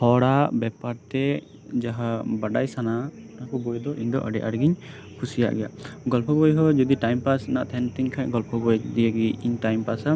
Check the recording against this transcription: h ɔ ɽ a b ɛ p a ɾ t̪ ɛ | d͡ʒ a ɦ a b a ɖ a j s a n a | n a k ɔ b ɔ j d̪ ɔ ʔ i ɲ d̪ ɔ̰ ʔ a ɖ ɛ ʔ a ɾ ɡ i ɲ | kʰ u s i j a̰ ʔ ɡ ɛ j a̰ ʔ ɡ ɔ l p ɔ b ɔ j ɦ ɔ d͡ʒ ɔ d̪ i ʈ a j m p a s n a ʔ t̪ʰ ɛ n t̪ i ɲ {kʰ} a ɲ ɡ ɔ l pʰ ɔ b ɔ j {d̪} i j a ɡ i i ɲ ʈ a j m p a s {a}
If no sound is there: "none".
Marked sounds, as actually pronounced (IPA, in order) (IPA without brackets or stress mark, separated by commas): kʰ, d̪, a